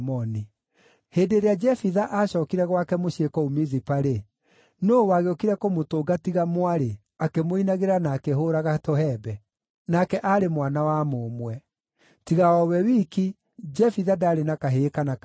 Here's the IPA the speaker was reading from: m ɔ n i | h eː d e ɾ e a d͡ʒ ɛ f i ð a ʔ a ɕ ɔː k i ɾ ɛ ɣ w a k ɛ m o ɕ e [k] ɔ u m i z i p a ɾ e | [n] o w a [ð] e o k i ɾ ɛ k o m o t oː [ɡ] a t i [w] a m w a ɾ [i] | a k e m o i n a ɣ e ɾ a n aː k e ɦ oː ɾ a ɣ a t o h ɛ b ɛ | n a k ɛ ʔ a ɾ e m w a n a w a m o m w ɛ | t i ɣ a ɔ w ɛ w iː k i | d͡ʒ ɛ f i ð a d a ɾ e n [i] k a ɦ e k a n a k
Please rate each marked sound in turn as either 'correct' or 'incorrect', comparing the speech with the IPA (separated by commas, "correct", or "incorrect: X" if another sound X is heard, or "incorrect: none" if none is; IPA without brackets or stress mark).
correct, correct, incorrect: ɣ, correct, incorrect: ɣ, incorrect: e, incorrect: a